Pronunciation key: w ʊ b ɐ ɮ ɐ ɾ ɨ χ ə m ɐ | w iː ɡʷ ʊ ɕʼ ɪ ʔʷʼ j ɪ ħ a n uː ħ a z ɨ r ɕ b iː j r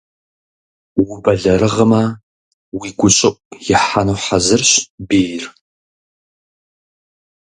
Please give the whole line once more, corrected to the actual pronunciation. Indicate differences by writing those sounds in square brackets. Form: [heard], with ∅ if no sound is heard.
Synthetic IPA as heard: w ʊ b ɐ ɮ ɐ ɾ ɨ [ʁ] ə m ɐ | w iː ɡʷ ʊ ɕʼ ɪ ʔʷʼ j ɪ ħ a n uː ħ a z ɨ r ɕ b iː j r